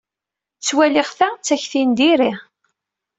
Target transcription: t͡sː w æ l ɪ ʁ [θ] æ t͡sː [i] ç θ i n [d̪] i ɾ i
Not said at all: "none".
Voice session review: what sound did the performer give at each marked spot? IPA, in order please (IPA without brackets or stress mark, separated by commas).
θ, æ, d̪